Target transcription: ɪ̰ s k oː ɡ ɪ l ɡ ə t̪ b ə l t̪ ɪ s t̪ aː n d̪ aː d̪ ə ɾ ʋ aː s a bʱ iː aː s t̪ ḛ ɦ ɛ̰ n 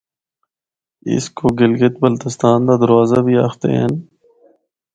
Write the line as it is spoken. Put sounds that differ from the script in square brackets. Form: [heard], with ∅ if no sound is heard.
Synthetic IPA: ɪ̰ s k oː ɡ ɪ l ɡ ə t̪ b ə l t̪ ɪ s t̪ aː n d̪ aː d̪ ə ɾ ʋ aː [z] a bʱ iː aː [x] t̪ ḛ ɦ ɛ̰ n